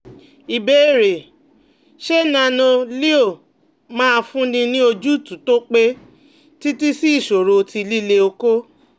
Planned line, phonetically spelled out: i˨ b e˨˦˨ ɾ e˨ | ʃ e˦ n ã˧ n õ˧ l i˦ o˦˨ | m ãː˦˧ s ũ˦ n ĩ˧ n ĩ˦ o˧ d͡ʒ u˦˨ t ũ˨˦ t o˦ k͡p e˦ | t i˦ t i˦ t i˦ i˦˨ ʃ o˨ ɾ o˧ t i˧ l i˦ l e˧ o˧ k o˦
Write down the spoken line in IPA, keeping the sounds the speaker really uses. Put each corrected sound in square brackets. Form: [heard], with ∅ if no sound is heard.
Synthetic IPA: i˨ b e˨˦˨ ɾ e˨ | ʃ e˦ n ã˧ n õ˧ l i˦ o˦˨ | m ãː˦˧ [f] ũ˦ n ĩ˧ n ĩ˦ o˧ d͡ʒ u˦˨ t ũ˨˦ t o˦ k͡p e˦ | t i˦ t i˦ [s] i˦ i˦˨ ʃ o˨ ɾ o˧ t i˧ l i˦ l e˧ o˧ k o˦